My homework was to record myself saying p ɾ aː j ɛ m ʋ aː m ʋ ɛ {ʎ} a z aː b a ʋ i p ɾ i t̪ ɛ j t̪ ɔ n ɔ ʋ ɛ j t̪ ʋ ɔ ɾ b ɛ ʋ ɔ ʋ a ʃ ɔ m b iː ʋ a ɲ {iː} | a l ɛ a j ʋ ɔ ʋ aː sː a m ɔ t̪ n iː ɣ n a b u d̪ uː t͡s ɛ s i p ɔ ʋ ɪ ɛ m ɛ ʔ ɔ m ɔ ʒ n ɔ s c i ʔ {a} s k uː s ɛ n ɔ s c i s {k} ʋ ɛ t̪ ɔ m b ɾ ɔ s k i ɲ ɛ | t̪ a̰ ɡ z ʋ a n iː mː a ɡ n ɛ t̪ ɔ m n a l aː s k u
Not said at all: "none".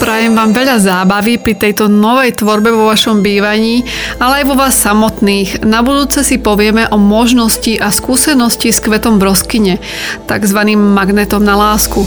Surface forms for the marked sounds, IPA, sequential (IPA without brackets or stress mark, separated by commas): ʎ, iː, a, k